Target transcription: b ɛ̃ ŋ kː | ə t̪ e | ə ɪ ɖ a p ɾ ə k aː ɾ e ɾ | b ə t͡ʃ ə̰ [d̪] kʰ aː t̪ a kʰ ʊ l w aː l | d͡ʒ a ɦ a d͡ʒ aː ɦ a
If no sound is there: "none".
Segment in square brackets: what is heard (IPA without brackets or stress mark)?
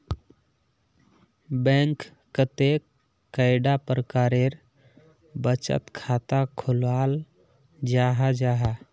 t̪